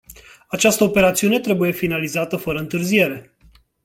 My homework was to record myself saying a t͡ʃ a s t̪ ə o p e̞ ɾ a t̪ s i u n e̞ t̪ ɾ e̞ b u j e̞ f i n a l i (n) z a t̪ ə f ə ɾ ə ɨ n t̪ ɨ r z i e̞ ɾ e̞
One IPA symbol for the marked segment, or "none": none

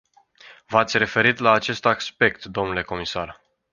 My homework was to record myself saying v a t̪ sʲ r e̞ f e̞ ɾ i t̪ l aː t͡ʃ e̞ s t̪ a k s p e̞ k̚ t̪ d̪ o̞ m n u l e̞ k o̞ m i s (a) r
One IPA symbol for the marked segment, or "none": a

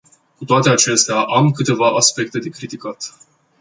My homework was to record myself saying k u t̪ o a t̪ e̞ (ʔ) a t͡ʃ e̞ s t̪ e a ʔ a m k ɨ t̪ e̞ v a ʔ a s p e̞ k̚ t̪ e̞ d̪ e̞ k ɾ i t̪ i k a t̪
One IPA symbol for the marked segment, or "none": none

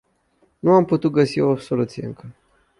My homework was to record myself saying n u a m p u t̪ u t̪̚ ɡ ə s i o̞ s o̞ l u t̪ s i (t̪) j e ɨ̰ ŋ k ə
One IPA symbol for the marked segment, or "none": none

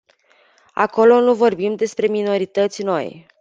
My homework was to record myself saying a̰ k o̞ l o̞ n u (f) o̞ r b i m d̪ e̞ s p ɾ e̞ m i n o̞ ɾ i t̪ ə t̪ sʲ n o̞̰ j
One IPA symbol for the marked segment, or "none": v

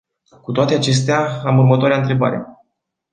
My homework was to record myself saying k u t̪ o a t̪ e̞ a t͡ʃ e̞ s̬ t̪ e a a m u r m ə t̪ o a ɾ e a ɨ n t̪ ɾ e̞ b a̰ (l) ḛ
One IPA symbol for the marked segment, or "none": ɾ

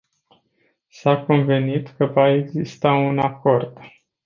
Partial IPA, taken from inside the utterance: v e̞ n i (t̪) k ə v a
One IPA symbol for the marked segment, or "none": t̪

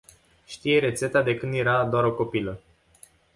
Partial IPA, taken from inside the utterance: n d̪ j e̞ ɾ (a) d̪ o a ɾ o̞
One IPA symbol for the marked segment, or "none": a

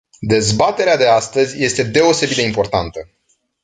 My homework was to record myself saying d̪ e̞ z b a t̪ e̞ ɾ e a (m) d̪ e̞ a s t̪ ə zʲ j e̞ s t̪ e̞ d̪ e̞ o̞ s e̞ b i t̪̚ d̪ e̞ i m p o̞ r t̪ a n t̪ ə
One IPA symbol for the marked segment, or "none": none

